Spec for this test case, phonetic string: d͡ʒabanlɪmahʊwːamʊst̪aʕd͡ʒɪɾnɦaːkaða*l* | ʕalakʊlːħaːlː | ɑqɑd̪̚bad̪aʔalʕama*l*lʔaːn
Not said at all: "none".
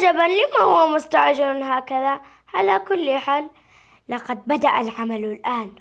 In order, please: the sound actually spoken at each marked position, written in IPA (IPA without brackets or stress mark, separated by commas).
none, l